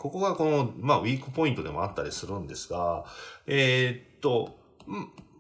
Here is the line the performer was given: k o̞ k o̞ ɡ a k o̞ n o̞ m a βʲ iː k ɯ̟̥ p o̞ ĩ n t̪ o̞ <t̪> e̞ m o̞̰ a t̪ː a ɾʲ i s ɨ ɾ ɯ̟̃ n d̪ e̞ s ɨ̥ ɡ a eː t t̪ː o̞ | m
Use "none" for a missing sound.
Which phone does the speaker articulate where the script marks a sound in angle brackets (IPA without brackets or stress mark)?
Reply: d̪